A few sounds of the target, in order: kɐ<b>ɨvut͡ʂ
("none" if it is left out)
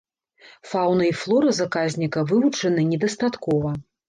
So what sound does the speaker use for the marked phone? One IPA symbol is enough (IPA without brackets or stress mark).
v